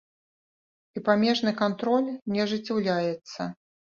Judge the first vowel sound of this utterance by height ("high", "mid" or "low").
high